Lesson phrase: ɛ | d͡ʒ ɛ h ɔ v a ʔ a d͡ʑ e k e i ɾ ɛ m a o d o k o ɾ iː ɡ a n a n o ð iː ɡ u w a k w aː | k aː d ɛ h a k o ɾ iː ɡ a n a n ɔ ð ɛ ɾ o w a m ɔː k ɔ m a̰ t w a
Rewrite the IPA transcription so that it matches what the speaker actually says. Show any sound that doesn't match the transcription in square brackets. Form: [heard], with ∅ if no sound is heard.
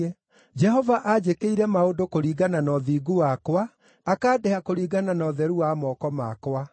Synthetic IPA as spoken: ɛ | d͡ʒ ɛ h ɔ v a ʔ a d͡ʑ e k e i ɾ ɛ m a o d o k o ɾ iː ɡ a n a n [ɔ] ð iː ɡ u w a k w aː | k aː d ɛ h a k o ɾ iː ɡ a n a n ɔ ð ɛ ɾ [u] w a m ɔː k ɔ m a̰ [k] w a